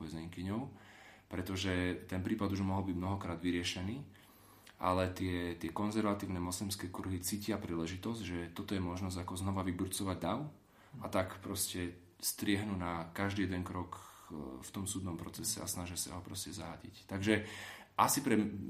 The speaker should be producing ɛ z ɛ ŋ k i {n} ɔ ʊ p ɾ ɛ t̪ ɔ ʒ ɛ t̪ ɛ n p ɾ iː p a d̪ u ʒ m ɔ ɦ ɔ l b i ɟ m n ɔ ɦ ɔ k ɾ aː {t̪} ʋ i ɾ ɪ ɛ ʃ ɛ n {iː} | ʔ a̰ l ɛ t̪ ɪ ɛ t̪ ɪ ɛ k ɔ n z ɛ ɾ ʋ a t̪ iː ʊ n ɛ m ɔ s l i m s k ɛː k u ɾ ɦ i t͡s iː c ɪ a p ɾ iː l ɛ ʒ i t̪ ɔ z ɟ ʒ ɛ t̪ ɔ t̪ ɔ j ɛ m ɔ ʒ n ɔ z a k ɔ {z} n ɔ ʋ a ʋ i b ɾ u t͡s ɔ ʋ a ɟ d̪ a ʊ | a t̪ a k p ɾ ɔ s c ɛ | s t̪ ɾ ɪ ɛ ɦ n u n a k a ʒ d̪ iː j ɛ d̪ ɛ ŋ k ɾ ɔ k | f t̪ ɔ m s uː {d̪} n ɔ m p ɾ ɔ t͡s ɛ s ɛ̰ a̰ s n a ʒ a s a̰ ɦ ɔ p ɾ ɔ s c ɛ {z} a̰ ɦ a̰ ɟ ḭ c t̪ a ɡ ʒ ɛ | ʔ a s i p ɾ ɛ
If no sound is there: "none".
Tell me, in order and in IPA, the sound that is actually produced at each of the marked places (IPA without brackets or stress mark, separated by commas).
ɲ, d̪, iː, z, d̪, z